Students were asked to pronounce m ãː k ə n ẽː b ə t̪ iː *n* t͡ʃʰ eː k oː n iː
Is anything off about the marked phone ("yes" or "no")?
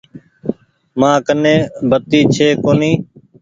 yes